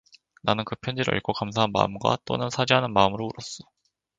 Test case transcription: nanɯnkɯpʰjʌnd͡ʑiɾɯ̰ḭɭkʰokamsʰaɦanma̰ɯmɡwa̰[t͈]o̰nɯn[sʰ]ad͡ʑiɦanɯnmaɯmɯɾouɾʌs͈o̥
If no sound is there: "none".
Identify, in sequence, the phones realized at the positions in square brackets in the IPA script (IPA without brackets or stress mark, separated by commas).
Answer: t͈, sʰ